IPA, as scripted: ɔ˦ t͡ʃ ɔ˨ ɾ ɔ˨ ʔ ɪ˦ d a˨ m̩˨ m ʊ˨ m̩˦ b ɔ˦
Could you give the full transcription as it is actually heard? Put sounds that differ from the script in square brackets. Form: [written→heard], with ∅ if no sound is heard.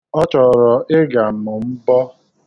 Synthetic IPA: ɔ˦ t͡ʃ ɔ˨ ɾ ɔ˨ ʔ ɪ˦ [d→ɡ] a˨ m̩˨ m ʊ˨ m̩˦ b ɔ˦